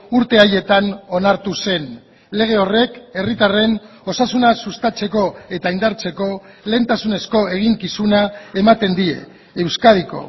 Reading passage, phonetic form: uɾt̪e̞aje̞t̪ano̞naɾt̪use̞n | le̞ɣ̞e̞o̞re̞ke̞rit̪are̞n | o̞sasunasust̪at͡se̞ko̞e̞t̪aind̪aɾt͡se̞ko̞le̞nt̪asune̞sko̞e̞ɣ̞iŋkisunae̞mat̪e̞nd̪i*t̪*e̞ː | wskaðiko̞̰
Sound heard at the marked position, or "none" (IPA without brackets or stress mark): none